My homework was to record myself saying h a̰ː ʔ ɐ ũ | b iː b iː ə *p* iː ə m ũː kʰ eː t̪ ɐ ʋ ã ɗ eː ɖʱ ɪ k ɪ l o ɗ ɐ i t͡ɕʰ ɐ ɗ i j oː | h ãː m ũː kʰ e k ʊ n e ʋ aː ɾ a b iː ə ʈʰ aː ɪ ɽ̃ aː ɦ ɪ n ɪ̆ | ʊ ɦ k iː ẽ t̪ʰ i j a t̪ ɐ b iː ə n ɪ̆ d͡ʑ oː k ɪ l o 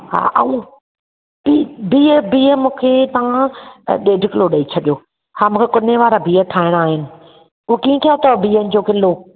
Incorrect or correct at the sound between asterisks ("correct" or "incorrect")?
incorrect